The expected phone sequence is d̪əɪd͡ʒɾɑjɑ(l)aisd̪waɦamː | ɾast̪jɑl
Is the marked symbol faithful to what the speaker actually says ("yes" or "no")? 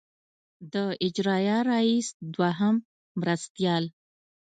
no